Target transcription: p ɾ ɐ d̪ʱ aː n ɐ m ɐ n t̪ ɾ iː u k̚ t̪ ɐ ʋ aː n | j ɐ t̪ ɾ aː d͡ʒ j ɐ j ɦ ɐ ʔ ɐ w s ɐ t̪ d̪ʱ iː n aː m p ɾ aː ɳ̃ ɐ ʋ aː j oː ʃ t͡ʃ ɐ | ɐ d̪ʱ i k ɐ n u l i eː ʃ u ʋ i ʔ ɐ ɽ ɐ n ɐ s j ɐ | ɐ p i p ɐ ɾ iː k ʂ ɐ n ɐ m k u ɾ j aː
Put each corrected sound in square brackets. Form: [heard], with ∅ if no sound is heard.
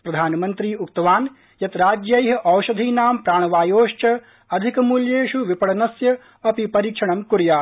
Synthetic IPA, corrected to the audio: p ɾ ɐ d̪ʱ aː n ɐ m ɐ n t̪ ɾ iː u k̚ t̪ ɐ ʋ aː n | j ɐ t̪ ɾ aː d͡ʒ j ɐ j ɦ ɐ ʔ ɐ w [ʃ] ɐ [∅] d̪ʱ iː n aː m p ɾ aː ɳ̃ ɐ ʋ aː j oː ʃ t͡ʃ ɐ | ɐ d̪ʱ i k ɐ [m] u l [j] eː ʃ u ʋ i [p] ɐ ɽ ɐ n ɐ s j ɐ | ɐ p i p ɐ ɾ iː k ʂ ɐ [ɳ] ɐ m k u ɾ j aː